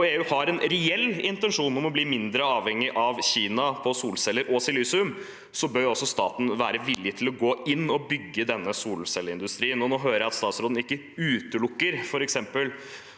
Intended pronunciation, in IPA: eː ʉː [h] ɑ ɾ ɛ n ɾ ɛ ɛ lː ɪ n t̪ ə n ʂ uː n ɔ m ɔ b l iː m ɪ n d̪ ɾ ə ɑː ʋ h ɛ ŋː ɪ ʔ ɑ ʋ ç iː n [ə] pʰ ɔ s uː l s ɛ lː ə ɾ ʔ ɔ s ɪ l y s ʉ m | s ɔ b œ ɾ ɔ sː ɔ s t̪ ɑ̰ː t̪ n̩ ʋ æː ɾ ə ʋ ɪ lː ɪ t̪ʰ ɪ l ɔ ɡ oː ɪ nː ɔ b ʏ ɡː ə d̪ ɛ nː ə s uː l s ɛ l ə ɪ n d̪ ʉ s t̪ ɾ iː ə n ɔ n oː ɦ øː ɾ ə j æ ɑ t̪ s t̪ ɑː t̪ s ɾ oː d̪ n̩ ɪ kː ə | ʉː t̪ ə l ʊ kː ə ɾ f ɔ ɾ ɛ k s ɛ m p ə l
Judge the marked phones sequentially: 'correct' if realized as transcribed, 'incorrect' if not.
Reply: correct, incorrect: ɑ

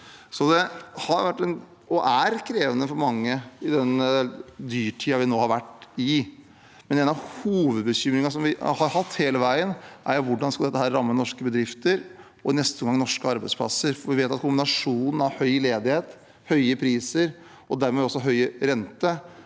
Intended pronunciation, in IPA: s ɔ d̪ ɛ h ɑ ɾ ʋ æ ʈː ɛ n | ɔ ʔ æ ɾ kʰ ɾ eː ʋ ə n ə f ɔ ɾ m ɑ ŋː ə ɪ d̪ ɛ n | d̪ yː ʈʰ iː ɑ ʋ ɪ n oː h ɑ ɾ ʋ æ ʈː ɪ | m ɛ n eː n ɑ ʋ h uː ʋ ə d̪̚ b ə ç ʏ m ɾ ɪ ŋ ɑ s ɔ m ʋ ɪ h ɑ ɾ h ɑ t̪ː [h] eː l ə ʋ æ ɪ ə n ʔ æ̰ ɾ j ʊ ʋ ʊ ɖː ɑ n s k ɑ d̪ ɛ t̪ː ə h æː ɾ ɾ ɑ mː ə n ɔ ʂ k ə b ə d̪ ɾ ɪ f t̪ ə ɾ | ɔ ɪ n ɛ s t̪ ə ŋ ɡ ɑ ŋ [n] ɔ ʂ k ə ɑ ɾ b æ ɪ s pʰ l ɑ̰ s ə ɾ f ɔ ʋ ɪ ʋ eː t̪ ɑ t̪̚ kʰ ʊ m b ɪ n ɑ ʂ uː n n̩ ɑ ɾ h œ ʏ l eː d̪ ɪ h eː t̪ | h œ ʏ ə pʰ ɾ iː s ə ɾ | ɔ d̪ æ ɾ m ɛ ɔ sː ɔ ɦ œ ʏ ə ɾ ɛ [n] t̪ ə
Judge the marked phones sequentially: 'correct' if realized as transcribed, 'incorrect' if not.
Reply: correct, correct, correct

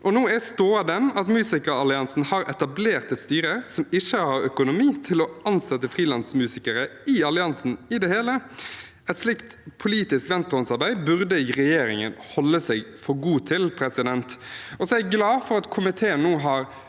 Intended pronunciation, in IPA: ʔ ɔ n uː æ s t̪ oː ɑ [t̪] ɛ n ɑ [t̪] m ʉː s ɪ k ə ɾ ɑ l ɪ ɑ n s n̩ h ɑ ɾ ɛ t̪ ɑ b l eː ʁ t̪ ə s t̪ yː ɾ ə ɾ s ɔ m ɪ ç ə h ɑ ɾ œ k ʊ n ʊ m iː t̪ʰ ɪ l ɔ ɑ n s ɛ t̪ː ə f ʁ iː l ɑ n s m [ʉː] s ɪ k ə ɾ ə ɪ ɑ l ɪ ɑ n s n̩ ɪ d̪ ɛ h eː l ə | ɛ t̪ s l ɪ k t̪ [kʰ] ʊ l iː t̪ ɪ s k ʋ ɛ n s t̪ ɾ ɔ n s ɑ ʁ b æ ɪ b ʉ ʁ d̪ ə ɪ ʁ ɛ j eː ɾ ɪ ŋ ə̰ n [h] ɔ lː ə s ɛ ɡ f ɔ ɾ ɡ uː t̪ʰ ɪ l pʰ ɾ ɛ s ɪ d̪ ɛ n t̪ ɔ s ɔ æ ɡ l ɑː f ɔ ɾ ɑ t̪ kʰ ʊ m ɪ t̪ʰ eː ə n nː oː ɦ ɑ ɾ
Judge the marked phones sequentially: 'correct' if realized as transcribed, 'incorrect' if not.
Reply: incorrect: d̪, correct, correct, incorrect: pʰ, correct

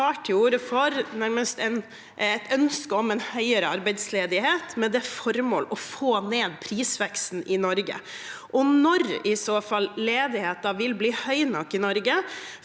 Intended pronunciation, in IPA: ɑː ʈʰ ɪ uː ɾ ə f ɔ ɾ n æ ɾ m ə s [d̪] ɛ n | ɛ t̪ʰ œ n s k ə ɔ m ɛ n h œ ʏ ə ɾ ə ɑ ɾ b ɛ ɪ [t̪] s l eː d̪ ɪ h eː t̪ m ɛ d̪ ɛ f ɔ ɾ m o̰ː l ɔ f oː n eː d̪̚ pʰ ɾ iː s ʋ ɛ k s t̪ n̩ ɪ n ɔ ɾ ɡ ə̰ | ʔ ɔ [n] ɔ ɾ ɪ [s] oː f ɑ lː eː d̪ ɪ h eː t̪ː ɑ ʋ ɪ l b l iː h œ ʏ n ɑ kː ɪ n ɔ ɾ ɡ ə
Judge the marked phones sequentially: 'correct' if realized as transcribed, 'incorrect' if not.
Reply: incorrect: t̪, incorrect: d̪, correct, correct

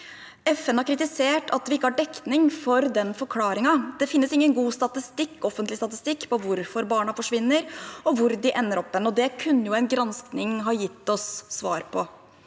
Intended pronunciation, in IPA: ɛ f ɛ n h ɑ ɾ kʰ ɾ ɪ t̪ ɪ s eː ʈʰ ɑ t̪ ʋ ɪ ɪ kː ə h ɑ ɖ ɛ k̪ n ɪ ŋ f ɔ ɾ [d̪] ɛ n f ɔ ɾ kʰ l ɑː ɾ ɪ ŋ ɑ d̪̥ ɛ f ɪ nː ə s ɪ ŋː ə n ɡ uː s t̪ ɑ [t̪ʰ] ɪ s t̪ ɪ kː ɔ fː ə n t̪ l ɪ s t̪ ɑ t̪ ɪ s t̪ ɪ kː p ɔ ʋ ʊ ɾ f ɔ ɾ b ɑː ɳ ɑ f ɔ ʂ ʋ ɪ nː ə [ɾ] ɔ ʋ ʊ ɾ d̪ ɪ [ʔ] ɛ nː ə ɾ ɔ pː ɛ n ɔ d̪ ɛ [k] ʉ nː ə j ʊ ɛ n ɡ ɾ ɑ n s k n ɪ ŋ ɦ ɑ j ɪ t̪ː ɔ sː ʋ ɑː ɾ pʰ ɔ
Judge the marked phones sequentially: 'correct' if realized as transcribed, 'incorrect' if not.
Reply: correct, incorrect: t̪, correct, correct, incorrect: kʰ

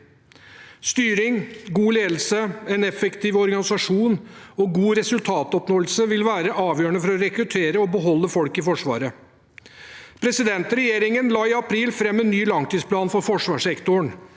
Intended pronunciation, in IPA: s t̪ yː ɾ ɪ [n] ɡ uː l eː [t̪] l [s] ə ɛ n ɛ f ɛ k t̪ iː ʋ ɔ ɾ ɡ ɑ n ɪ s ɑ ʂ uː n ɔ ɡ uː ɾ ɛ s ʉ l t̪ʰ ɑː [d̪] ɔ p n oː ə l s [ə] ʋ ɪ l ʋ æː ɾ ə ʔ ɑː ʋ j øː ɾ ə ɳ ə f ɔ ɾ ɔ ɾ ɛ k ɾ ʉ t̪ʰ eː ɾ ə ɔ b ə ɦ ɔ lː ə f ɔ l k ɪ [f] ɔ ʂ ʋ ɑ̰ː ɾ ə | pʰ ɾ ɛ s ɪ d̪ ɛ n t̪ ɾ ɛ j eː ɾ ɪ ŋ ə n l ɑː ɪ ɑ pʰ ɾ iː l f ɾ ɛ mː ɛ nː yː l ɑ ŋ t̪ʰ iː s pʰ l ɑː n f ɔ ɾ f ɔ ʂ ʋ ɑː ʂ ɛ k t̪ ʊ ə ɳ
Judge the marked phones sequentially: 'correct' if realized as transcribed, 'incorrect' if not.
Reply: incorrect: ŋ, incorrect: d̪, correct, incorrect: t̪, correct, correct

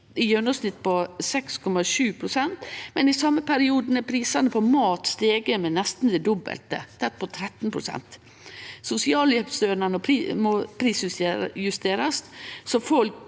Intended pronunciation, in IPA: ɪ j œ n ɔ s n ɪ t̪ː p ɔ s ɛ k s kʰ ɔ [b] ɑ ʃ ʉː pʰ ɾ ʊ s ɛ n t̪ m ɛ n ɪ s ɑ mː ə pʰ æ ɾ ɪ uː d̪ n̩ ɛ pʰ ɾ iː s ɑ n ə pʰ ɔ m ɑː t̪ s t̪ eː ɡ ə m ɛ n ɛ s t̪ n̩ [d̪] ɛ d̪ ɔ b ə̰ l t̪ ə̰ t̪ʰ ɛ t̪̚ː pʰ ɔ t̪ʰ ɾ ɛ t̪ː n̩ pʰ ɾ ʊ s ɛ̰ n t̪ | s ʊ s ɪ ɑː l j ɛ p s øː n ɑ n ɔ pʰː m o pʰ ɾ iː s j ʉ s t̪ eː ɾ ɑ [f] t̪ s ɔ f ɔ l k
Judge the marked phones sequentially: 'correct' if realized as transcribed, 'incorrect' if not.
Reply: incorrect: m, correct, incorrect: s

